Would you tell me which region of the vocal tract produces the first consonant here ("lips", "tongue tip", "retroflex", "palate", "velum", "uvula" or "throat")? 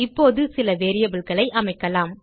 lips